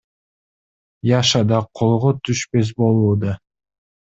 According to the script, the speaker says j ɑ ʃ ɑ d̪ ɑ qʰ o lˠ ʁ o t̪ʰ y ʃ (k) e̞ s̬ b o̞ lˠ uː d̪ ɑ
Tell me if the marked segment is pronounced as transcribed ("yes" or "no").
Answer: no